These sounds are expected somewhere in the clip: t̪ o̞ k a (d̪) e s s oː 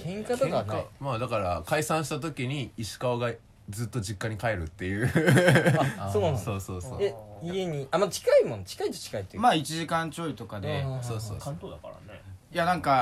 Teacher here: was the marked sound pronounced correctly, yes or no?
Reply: yes